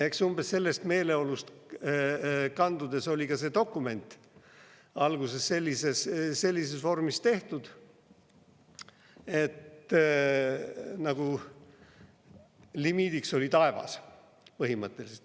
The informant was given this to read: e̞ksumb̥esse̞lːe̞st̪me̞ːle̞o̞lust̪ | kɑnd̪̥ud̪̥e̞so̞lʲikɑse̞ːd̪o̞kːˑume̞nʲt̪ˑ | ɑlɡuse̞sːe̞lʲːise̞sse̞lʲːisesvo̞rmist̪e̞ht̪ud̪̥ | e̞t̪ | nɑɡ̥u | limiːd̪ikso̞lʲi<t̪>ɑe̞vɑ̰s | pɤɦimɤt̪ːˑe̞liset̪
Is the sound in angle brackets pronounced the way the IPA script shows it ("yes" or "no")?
yes